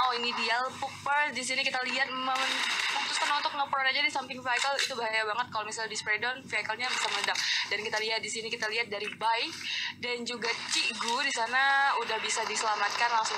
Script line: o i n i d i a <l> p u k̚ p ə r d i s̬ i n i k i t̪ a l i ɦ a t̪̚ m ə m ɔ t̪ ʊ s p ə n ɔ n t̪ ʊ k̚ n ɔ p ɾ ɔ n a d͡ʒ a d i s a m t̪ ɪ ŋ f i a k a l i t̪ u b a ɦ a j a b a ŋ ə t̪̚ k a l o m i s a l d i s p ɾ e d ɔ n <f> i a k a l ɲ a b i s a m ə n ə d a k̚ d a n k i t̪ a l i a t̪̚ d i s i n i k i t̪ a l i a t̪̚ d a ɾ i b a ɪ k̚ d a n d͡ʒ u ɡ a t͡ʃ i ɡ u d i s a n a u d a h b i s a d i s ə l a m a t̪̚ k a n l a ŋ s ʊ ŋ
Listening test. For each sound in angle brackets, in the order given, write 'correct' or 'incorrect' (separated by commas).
correct, correct